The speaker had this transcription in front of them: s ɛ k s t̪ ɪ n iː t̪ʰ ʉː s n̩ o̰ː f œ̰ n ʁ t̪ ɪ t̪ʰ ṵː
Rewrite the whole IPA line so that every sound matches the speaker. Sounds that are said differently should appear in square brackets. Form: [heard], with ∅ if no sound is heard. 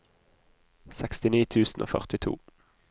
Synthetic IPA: s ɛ k s t̪ ɪ n iː t̪ʰ ʉː s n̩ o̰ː f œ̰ [∅] ʁ t̪ ɪ t̪ʰ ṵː